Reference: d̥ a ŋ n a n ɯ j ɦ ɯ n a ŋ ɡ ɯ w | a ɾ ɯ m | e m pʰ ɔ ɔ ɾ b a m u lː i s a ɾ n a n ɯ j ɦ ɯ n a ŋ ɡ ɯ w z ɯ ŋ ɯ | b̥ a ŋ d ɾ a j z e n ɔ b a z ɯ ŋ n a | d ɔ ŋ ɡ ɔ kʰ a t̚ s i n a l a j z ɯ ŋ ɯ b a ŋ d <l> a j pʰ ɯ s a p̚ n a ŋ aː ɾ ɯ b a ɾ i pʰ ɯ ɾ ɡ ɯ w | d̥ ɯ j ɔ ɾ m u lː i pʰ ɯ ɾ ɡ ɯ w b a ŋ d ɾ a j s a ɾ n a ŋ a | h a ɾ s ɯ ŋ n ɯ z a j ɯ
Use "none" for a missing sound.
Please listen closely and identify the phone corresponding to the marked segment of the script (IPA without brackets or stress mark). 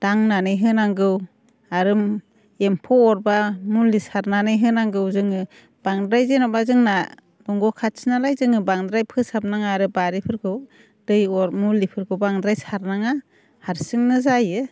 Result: ɾ